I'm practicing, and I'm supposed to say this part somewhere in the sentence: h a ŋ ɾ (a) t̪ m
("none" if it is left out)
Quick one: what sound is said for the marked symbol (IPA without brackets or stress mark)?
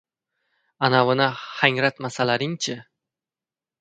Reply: a